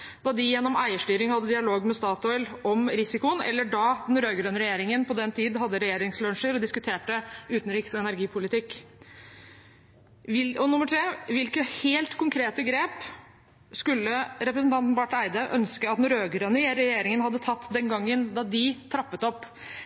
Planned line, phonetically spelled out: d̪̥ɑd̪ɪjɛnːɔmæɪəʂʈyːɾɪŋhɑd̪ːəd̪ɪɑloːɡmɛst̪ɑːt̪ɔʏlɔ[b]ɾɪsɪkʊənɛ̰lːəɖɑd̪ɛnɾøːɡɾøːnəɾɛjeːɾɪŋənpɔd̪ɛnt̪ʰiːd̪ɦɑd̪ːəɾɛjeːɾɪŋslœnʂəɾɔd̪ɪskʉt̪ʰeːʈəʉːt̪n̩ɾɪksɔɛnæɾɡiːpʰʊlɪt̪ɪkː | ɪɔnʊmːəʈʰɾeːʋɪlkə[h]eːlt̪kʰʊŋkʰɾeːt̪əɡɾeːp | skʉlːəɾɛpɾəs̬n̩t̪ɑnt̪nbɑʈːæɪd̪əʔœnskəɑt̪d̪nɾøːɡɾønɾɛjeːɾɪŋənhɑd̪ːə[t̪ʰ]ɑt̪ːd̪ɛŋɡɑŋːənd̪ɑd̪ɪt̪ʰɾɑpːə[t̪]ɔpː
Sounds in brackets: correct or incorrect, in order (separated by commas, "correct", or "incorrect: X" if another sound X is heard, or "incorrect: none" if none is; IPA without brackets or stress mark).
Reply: incorrect: m, correct, correct, correct